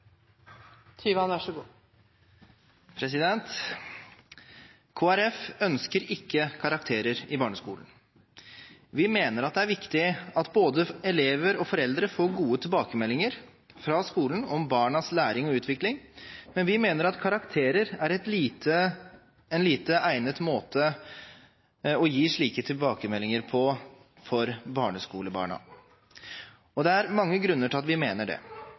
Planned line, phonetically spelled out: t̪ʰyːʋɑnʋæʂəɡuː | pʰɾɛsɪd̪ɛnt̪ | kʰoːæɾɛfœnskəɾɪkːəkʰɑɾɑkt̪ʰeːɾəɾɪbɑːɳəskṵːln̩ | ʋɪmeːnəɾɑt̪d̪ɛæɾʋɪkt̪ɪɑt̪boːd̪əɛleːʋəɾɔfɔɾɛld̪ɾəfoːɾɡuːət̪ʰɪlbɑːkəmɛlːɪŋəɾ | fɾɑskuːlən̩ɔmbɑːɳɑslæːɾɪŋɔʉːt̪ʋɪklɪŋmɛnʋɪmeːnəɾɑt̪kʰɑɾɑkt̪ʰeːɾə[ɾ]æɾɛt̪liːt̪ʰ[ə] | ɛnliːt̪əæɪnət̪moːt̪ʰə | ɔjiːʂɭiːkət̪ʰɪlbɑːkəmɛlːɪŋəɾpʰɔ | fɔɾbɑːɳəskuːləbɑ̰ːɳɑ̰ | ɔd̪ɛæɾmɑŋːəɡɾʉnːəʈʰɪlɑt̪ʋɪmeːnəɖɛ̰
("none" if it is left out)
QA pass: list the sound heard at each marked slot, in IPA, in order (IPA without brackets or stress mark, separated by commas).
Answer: ɾ, ə